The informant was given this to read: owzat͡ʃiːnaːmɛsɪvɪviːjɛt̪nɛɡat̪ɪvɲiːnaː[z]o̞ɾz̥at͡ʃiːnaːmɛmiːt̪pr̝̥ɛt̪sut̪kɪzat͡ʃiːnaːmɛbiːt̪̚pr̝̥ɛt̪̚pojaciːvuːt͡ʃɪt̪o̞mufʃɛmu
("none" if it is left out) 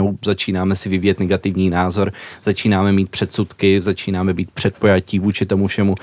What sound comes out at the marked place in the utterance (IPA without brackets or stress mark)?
z